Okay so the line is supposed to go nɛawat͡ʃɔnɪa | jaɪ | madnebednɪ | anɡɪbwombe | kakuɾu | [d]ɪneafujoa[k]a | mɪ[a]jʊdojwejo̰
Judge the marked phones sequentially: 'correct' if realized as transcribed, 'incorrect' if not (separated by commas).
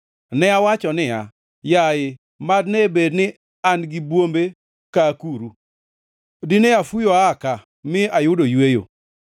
correct, correct, correct